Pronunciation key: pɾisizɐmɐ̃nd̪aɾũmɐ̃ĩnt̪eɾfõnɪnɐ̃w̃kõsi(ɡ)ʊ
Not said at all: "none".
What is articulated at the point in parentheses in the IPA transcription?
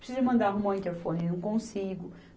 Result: ɡ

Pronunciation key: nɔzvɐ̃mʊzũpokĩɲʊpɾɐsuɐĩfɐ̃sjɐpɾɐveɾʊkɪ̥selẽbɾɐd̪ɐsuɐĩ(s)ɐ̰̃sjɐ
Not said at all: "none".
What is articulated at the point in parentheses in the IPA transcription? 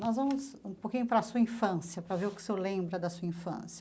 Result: f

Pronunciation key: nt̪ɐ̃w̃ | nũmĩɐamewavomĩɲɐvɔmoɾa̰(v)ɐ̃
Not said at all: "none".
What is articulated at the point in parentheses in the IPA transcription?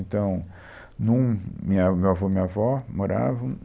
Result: v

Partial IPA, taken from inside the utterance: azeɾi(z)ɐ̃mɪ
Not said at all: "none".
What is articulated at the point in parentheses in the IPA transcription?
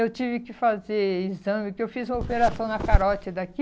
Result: z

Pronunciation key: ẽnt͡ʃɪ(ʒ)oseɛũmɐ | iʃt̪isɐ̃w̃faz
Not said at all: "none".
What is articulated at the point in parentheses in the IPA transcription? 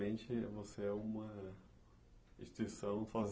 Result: v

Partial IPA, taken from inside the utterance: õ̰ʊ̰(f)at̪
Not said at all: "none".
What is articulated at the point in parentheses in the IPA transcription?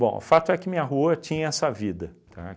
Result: f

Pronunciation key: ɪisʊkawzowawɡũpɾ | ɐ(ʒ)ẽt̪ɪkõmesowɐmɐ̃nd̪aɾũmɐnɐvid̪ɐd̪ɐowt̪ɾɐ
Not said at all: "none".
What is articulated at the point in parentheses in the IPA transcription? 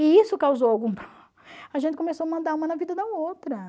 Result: ʒ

